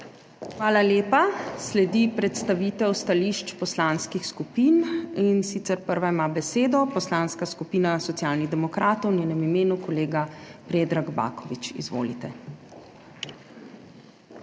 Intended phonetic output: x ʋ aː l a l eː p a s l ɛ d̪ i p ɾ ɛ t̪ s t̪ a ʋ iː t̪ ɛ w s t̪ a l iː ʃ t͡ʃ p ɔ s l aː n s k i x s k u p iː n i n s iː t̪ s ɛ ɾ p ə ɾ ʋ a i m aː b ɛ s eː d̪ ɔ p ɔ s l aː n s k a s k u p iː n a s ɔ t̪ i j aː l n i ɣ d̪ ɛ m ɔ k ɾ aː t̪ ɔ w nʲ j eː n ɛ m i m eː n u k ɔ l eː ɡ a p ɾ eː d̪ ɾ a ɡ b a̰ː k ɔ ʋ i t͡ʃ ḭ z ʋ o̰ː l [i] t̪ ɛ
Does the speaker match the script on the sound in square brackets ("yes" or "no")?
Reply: yes